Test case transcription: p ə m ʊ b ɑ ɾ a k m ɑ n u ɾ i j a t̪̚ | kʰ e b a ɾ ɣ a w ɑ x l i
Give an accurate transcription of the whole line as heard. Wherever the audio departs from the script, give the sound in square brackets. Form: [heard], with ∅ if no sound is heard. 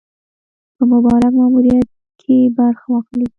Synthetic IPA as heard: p ə m ʊ b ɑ ɾ a k m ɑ [m] u ɾ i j a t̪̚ | kʰ e b a ɾ [x] a w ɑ x l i